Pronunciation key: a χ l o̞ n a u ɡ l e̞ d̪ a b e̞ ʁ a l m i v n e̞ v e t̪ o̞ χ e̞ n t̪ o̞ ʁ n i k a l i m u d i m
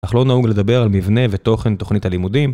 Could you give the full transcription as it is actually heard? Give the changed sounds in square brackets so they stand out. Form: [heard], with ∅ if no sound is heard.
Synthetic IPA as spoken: a χ l o̞ n a u ɡ l e̞ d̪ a b e̞ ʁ a l m i v n e̞ v e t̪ o̞ χ e̞ n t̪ o̞ [χ] n i [t] a l i m u d i m